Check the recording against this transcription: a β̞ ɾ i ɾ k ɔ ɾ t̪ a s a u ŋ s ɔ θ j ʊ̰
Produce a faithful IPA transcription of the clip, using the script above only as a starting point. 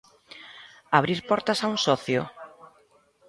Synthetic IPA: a β̞ ɾ i ɾ p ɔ ɾ t̪ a s a u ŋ s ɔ θ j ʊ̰